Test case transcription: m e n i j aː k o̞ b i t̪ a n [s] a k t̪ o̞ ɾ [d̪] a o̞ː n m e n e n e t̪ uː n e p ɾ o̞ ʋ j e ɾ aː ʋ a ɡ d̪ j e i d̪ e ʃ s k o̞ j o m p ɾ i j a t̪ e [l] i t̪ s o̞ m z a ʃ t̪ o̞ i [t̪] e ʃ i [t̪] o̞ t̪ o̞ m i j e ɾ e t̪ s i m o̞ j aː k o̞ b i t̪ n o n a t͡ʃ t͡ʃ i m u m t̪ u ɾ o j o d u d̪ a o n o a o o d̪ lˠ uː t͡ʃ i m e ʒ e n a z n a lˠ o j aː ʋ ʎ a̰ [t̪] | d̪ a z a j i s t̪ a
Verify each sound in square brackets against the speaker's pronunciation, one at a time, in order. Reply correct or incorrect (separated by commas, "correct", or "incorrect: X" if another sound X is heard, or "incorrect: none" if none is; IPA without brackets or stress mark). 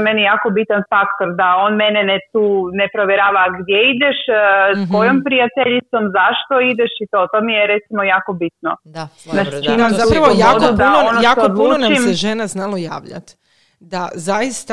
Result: incorrect: f, correct, incorrect: ʎ, incorrect: d̪, correct, correct